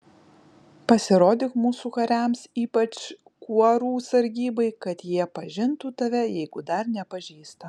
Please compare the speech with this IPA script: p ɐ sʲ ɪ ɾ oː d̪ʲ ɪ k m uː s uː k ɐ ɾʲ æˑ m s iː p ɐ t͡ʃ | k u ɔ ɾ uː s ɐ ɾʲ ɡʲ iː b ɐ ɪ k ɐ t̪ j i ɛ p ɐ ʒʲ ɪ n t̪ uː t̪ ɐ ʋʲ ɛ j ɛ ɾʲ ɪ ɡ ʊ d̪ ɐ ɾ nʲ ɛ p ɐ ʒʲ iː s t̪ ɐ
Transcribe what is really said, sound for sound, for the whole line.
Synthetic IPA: p ɐ sʲ ɪ ɾ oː d̪ʲ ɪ k m uː s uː k ɐ ɾʲ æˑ m s iː p ɐ t͡ʃ | k u ɔ ɾ uː s ɐ ɾʲ ɡʲ iː b ɐ ɪ k ɐ t̪ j i ɛ p ɐ ʒʲ ɪ n t̪ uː t̪ ɐ ʋʲ ɛ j ɛ ɪ ɡ ʊ d̪ ɐ ɾ nʲ ɛ p ɐ ʒʲ iː s t̪ ɐ